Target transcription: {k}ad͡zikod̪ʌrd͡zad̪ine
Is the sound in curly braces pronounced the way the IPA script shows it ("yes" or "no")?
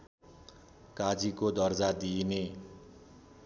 yes